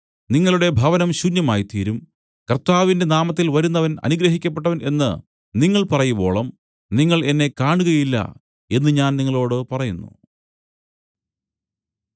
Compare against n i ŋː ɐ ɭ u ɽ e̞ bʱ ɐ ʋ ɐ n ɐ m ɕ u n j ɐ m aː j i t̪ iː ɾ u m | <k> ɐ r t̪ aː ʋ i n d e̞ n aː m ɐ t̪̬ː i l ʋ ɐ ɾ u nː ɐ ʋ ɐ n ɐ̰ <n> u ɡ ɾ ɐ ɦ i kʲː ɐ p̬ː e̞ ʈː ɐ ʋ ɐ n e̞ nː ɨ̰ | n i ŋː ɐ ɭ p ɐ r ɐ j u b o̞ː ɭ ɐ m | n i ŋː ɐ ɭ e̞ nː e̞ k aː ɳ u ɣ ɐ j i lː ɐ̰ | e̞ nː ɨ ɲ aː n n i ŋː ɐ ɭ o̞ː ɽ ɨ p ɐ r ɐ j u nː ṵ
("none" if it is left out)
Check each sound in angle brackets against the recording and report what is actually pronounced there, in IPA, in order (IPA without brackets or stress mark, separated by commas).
k, n